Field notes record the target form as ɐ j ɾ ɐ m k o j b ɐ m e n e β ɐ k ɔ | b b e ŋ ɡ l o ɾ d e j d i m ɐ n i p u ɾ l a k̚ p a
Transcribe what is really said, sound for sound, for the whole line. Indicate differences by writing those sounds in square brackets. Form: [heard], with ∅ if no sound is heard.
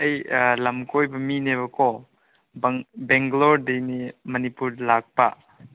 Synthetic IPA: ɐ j [l] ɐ m k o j b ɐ m [i] n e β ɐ k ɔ | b b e ŋ ɡ l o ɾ d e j [n] i m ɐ n i p u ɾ l a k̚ p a